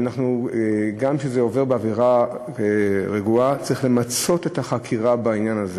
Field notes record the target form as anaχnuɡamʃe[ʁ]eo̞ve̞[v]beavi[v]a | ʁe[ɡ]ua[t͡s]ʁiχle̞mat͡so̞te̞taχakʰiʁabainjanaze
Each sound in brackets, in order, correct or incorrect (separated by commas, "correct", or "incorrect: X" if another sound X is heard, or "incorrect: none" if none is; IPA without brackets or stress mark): incorrect: z, incorrect: ʁ, incorrect: ʁ, correct, correct